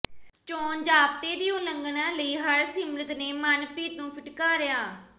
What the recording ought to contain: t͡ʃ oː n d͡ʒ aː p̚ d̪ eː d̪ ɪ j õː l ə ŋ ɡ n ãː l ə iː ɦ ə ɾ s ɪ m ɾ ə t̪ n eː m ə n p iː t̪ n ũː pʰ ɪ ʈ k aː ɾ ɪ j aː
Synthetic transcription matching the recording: t͡ʃ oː n d͡ʒ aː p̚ t̪ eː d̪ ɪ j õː l ə ŋ ɡ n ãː l ə iː ɦ ə ɾ s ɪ m ɾ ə t̪ n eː m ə n p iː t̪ n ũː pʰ ɪ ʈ k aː ɾ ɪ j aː